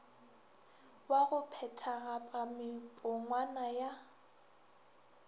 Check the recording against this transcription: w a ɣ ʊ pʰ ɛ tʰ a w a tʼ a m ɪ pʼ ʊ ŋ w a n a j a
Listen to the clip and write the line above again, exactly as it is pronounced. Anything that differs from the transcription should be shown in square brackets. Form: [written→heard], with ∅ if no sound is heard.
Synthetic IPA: w a ɣ ʊ pʰ ɛ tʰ a [w→ɣ] a [tʼ→pʼ] a m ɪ pʼ ʊ ŋ w a n a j a